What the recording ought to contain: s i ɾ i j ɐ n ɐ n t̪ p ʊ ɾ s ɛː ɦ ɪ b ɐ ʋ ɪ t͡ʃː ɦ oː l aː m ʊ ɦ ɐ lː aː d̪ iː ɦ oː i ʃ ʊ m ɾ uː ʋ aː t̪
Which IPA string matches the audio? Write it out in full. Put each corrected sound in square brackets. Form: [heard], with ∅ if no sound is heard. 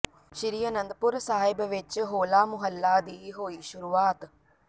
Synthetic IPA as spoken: [ʃ] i ɾ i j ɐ n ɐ n [d̪] p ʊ ɾ s [aː] ɦ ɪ b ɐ ʋ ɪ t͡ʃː ɦ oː l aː m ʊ ɦ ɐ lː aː d̪ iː ɦ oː i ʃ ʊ [∅] ɾ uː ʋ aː t̪